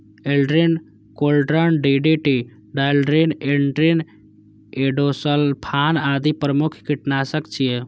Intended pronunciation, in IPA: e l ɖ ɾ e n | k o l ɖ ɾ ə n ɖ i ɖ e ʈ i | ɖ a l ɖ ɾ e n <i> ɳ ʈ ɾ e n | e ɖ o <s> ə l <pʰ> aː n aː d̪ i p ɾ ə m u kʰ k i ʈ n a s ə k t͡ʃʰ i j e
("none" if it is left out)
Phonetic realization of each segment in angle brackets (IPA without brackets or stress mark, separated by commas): e, s, pʰ